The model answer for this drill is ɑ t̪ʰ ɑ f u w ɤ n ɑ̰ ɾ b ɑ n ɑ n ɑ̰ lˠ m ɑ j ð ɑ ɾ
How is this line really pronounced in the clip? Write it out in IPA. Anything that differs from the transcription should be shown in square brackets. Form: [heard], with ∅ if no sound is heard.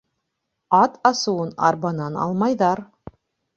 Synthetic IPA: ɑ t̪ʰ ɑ [s] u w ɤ n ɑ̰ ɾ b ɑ n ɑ n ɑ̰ lˠ m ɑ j ð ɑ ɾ